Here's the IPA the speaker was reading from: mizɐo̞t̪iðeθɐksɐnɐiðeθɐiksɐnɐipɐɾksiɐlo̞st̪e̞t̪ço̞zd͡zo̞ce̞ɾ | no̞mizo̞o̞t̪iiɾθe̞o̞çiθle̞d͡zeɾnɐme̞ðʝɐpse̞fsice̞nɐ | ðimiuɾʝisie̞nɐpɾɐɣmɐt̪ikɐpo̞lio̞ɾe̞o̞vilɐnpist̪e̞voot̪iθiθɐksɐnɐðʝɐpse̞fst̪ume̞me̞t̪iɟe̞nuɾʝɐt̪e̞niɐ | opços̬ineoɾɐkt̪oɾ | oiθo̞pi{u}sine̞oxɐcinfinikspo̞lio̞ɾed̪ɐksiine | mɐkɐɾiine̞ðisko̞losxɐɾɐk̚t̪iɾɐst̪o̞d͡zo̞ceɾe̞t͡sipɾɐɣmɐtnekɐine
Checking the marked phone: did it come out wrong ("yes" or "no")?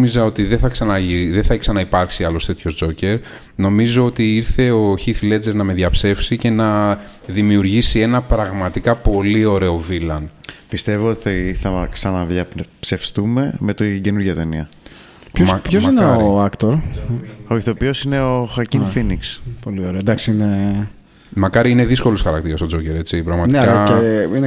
yes